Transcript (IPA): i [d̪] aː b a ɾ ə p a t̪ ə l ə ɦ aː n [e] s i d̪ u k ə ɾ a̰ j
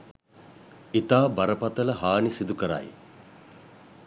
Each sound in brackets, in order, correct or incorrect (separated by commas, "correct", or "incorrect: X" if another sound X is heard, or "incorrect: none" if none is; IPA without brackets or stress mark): incorrect: t̪, incorrect: i